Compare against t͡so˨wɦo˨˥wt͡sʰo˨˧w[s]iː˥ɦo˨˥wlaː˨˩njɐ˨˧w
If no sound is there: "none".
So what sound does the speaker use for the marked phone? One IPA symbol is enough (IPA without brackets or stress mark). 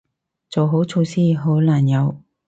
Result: s